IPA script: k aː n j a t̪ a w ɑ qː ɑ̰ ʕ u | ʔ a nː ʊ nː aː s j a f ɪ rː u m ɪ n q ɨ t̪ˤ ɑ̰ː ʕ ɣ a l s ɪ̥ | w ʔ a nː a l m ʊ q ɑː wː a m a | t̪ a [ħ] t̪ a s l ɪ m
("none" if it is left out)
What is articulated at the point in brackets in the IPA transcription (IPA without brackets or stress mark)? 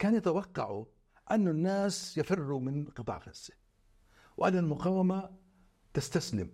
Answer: s